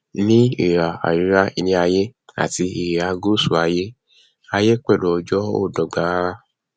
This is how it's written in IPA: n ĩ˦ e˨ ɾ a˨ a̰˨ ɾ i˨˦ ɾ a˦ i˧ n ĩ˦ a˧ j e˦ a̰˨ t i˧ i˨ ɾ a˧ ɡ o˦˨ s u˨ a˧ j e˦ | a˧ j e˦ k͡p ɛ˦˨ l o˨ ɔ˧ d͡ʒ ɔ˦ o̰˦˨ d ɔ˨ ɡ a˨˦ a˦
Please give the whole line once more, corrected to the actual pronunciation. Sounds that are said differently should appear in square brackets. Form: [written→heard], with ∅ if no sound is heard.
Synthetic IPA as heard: n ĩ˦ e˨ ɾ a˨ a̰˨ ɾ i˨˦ ɾ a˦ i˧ n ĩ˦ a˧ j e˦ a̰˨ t i˧ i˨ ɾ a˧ ɡ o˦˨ s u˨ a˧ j e˦ | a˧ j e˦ k͡p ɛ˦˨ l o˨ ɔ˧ d͡ʒ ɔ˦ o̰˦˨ d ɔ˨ [ɡ→ɡ͡b] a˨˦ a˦